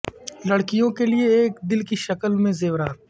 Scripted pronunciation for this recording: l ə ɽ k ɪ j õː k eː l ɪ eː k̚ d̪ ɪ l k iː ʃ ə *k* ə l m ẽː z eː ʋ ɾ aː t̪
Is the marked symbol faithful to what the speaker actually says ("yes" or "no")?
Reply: yes